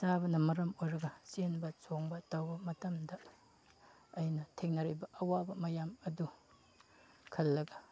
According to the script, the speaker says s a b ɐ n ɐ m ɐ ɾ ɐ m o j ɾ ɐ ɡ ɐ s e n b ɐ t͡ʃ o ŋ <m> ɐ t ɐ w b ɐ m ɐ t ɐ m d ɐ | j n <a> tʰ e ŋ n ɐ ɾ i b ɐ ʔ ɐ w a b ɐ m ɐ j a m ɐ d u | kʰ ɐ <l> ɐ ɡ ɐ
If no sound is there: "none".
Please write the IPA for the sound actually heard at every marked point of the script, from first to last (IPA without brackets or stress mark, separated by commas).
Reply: b, ɐ, lː